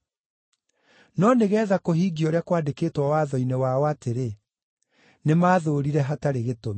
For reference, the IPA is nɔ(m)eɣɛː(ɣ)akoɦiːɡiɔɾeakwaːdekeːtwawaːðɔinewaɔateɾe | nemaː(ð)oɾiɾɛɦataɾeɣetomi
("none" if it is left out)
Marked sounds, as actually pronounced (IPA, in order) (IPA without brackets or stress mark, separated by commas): n, ð, ð